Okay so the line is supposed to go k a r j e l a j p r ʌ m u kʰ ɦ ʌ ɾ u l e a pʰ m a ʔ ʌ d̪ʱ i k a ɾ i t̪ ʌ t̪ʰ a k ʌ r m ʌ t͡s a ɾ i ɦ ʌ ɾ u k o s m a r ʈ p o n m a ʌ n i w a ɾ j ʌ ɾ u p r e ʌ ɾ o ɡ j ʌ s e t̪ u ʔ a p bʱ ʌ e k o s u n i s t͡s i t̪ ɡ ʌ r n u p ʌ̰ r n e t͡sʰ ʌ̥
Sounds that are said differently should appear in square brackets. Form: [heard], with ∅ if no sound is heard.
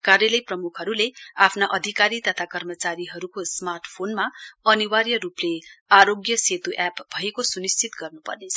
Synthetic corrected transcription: k a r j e l [ʌ] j p r ʌ m u kʰ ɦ ʌ ɾ u l e a pʰ [n] a ʔ ʌ d̪ʱ i k a ɾ i t̪ ʌ t̪ʰ a k ʌ r m ʌ t͡s a ɾ i ɦ ʌ ɾ u k o s m a r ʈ [pʰ] o n m a ʌ n i w a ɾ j ʌ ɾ u p [l] e [a] ɾ o ɡ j ʌ s e t̪ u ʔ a p bʱ ʌ e k o s u n i s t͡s i t̪ ɡ ʌ r n u p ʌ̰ r n e t͡sʰ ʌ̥